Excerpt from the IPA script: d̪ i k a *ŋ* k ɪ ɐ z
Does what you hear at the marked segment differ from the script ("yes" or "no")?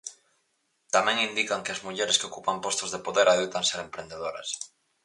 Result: no